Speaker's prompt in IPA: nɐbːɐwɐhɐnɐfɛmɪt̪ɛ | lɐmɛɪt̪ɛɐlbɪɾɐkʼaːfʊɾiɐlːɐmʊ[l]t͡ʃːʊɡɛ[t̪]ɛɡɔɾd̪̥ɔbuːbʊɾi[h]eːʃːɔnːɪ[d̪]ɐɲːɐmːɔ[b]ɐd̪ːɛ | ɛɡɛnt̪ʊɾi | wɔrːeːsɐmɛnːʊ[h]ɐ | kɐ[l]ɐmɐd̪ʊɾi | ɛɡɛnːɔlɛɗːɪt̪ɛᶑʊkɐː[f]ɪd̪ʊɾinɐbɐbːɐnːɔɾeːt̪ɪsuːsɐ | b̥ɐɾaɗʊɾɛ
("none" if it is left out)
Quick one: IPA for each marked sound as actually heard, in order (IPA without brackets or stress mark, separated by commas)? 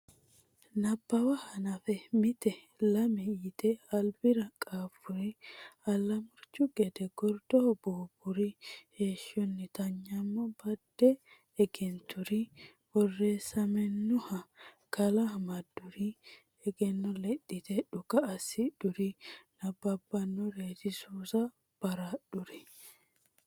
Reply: ɾ, d̪, h, t̪, b, h, l, s